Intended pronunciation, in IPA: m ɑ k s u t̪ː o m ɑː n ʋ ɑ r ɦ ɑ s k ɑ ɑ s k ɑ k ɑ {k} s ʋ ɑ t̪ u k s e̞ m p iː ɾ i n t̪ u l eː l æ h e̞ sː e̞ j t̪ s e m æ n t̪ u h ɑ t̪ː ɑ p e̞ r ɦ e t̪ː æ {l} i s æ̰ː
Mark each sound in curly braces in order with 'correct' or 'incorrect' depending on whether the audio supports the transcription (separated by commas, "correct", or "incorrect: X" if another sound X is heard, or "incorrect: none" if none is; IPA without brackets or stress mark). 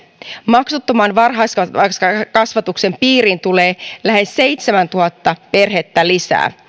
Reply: incorrect: none, correct